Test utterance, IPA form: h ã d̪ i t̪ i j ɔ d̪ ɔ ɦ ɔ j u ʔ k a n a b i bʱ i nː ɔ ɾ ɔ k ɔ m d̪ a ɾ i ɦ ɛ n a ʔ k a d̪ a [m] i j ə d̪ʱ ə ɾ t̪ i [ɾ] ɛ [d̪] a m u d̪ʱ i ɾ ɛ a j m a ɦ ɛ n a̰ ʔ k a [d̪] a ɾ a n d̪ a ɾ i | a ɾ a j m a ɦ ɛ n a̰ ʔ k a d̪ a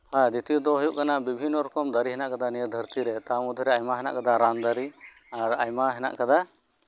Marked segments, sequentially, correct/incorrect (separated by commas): incorrect, correct, incorrect, correct